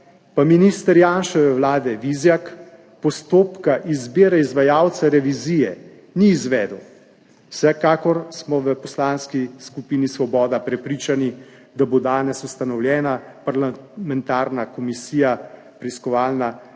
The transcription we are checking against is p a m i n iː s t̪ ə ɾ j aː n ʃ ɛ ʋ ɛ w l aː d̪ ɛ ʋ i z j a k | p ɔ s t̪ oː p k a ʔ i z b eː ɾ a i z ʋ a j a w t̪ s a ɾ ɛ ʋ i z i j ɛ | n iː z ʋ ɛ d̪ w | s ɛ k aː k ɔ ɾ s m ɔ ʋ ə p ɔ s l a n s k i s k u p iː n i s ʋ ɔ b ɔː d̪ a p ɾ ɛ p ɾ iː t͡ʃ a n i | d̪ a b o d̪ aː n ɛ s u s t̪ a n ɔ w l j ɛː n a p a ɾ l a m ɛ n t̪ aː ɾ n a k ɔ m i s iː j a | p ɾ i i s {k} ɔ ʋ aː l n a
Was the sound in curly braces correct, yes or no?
yes